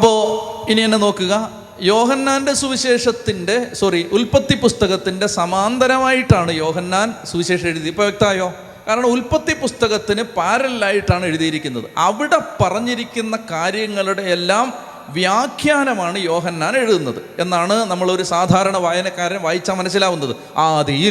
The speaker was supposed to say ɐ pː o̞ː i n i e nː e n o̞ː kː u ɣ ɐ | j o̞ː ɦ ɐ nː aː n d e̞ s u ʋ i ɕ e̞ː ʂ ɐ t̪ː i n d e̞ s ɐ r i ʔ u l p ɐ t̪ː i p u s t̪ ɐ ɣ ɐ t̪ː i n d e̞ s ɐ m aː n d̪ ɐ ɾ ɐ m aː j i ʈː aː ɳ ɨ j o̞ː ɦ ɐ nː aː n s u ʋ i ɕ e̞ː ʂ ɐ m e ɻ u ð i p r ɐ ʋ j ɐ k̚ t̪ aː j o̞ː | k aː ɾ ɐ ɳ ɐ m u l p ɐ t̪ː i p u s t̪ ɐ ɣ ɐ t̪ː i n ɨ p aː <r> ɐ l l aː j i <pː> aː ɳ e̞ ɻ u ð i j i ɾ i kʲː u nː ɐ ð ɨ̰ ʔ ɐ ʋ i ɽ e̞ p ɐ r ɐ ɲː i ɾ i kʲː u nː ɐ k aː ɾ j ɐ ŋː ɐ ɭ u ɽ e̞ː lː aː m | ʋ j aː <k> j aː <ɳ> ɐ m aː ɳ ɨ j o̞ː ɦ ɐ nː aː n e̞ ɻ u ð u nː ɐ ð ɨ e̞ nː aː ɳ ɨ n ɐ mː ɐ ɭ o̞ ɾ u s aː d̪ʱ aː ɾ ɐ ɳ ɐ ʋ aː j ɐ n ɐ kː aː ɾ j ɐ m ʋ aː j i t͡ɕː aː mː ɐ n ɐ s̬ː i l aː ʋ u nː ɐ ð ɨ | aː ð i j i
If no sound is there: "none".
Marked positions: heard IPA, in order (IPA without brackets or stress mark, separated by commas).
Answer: ɾ, ʈː, kʰ, n